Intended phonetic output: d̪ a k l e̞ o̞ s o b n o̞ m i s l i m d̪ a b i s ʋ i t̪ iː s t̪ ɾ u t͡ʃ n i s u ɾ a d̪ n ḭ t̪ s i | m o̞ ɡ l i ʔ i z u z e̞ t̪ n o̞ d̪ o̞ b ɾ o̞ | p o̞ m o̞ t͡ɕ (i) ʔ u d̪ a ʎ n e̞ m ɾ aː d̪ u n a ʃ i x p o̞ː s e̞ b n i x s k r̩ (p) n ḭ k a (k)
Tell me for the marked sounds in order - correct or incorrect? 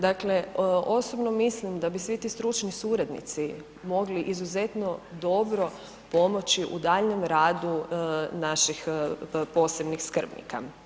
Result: correct, incorrect, incorrect

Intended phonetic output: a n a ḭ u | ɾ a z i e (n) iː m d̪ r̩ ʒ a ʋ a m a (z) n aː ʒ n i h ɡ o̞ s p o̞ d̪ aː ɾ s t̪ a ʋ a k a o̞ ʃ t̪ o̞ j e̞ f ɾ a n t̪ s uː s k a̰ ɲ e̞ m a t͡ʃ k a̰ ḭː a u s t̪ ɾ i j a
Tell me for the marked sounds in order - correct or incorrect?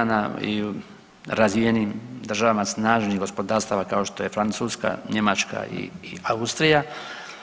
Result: correct, incorrect

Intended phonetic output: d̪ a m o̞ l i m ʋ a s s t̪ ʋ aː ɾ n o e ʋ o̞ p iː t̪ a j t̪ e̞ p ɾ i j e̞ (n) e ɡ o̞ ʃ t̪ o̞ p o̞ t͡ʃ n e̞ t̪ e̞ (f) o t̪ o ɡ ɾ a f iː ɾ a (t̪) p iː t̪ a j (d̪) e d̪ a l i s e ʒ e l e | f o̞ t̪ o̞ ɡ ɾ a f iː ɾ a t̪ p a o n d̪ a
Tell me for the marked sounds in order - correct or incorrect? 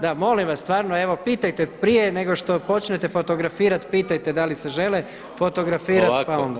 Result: correct, correct, correct, incorrect

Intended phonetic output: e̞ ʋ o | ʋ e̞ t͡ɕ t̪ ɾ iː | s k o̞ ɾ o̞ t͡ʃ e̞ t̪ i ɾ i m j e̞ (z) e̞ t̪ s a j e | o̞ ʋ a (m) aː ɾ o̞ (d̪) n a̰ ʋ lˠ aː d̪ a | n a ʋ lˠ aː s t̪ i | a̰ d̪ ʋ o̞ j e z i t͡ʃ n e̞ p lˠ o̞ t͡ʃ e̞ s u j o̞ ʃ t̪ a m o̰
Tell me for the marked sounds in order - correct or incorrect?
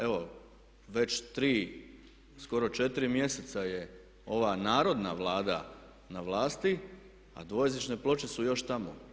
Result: incorrect, incorrect, correct

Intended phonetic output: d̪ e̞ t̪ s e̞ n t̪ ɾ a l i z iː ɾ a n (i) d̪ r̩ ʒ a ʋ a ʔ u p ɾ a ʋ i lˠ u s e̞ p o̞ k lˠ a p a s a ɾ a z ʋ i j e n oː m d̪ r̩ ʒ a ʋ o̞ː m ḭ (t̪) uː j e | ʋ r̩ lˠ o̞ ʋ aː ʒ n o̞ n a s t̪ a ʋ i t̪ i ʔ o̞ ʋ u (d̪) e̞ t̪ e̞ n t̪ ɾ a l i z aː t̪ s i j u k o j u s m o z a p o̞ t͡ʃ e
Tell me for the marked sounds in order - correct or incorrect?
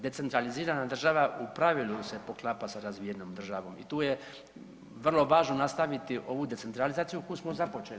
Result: incorrect, correct, correct

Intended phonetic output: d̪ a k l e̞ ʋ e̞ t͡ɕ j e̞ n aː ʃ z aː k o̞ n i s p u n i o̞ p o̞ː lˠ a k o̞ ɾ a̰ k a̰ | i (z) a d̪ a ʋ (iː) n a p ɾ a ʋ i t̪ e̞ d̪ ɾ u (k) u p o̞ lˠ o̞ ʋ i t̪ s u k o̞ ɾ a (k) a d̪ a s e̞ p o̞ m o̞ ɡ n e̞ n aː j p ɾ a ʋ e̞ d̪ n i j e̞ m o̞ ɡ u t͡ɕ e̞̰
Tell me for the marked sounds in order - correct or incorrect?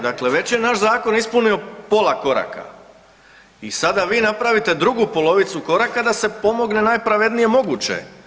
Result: incorrect, correct, incorrect, correct

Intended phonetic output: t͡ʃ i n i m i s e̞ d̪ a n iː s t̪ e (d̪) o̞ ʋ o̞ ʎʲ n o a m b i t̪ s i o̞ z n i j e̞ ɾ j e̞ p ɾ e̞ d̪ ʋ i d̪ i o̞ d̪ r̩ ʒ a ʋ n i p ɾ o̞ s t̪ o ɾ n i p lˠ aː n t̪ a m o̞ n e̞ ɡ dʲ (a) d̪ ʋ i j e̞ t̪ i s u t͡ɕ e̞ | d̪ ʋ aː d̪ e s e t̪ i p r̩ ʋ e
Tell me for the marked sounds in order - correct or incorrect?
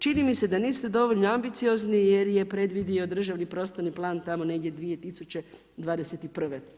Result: correct, incorrect

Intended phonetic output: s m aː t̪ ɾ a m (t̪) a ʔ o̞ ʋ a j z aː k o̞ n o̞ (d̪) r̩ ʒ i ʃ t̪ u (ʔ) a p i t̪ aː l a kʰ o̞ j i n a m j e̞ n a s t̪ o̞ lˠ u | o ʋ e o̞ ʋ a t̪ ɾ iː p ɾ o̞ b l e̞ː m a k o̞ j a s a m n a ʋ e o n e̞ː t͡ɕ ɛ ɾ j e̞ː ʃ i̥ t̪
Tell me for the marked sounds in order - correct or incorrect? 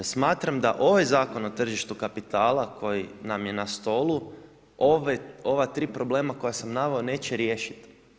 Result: incorrect, incorrect, incorrect

